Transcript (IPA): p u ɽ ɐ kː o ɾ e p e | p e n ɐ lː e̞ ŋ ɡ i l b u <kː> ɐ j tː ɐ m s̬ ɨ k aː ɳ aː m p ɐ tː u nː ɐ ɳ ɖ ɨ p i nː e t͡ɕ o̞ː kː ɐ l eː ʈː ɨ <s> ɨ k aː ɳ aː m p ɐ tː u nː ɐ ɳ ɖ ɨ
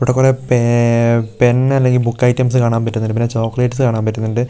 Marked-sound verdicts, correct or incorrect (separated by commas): correct, correct